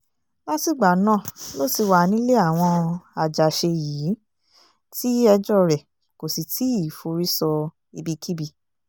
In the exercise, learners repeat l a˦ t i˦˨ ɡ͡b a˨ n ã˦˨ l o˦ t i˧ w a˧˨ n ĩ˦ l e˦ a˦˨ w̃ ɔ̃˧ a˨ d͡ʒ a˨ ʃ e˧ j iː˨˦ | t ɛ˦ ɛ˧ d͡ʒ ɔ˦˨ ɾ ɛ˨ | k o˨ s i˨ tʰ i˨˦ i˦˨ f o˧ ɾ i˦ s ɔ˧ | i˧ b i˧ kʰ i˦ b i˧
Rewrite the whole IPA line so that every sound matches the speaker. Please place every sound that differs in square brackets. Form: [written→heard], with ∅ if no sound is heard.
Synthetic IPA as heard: l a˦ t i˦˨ ɡ͡b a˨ n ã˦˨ l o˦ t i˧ w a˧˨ n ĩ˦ l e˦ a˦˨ w̃ ɔ̃˧ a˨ d͡ʒ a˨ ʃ e˧ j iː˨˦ | t [ɛ˦→i˦] ɛ˧ d͡ʒ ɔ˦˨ ɾ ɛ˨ | k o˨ s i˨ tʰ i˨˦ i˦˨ f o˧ ɾ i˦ s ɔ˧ | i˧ b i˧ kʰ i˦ b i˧